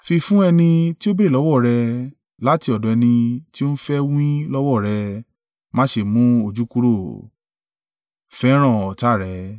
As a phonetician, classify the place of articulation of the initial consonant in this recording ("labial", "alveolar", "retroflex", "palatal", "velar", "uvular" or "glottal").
labial